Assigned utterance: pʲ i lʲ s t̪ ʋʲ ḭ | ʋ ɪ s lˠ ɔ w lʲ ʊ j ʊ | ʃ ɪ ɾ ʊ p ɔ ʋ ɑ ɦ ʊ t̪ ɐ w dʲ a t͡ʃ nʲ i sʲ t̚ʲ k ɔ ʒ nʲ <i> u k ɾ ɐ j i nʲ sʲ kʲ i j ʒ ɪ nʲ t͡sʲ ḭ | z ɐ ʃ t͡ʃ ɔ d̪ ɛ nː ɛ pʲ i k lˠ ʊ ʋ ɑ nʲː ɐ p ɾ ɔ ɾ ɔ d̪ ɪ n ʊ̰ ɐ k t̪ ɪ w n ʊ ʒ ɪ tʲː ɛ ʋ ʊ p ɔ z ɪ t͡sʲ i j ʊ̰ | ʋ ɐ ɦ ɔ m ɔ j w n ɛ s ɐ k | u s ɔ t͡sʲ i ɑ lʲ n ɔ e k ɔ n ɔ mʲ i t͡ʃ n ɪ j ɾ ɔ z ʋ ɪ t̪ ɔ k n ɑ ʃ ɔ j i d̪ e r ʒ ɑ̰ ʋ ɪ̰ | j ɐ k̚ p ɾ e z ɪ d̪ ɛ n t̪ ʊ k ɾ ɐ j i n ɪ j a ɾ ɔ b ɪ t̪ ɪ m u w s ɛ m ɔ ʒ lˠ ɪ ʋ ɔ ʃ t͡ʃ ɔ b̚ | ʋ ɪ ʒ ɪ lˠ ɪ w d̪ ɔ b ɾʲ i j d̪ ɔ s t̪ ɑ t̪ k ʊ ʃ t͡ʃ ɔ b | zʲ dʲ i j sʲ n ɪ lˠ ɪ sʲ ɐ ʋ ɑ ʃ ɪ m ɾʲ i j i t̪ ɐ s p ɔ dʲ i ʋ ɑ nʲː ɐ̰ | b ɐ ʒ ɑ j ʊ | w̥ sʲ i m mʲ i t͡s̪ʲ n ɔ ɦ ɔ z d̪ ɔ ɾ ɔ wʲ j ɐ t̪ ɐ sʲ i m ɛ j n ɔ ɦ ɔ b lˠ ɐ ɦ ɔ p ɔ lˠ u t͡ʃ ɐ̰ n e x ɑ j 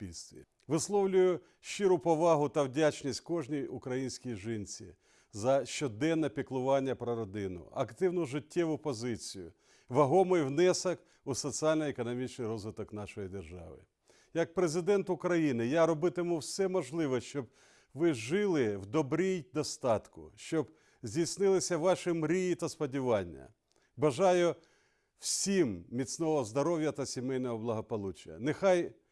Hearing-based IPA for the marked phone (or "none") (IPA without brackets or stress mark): i